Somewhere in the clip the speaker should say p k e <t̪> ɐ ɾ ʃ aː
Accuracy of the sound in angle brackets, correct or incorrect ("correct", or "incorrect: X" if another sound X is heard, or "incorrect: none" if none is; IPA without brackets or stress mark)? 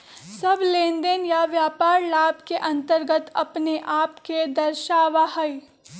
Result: incorrect: d̪